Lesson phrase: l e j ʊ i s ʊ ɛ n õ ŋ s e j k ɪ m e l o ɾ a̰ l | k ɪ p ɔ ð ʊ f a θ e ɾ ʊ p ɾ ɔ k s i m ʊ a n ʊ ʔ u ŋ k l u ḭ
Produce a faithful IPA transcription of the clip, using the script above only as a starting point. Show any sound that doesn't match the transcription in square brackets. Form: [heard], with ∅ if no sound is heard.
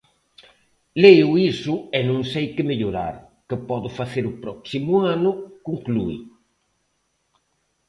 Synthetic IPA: l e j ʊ i s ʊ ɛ n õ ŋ s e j k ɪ m e [ʎ] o ɾ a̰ [ɾ] | k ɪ p ɔ ð ʊ f a θ e ɾ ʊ p ɾ ɔ k s i m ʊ a n ʊ [k] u ŋ k l u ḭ